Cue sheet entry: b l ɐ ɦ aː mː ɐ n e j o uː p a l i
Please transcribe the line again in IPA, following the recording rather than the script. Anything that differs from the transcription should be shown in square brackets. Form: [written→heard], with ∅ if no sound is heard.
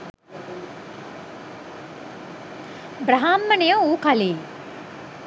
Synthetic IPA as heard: b [l→ɾ] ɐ ɦ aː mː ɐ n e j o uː [p→k] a l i